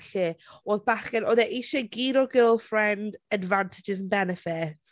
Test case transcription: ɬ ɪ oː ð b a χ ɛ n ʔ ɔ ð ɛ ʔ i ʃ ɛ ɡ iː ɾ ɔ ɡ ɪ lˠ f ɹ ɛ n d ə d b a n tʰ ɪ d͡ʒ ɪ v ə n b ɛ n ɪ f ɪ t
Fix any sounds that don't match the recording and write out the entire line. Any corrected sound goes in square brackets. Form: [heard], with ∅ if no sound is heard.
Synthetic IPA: ɬ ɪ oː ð b a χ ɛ n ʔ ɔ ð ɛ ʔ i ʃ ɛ ɡ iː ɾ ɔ ɡ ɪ lˠ f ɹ ɛ n d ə d [v] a n tʰ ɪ d͡ʒ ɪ [z] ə n b ɛ n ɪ f ɪ t